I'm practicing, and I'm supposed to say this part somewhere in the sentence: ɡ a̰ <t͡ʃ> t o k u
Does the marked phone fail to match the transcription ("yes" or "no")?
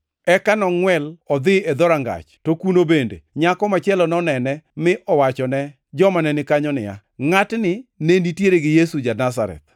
no